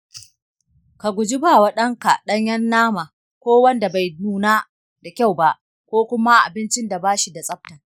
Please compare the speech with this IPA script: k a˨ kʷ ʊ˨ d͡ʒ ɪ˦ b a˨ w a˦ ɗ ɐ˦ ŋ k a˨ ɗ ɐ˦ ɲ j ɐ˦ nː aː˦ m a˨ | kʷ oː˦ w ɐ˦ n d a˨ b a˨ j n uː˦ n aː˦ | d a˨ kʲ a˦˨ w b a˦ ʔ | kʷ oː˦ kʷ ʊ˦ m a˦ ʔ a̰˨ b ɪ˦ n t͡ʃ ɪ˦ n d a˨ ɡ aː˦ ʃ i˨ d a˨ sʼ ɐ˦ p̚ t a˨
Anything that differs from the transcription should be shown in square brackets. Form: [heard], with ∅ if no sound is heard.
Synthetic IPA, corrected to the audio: k a˨ [ɡʷ] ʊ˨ d͡ʒ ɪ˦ b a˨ w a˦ ɗ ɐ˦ ŋ k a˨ ɗ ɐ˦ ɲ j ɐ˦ nː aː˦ m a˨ | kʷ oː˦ w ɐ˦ n d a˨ b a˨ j n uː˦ n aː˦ | d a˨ kʲ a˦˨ w b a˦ ʔ | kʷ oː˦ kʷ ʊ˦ m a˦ ʔ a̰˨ b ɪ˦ n t͡ʃ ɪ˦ n d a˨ [b] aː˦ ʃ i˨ d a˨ sʼ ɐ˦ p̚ t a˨